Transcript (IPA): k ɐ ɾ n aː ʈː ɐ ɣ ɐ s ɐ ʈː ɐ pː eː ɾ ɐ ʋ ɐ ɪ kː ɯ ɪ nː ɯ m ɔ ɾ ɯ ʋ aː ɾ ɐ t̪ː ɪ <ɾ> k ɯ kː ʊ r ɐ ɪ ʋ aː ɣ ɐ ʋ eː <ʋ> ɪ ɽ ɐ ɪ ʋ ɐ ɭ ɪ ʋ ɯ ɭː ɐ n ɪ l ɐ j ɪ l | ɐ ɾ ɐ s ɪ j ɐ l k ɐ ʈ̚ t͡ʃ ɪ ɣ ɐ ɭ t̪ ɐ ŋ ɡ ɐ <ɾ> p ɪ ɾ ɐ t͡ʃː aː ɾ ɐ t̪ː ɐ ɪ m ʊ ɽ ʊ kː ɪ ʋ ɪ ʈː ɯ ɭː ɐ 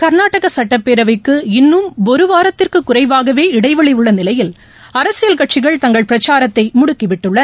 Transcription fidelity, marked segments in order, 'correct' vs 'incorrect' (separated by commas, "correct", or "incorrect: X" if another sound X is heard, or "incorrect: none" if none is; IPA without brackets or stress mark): incorrect: r, incorrect: none, incorrect: ɭ